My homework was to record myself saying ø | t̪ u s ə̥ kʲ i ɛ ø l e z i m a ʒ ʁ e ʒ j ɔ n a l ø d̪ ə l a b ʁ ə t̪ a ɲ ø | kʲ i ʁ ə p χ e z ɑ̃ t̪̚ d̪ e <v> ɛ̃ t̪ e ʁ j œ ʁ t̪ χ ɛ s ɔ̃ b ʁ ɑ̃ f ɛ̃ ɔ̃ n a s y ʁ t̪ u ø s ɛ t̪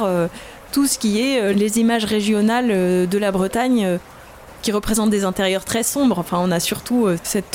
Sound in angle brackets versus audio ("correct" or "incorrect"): incorrect